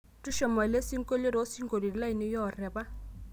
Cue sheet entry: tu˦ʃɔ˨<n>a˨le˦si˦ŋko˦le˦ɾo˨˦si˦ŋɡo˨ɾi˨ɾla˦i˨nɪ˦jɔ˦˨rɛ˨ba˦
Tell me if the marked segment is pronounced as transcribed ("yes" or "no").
no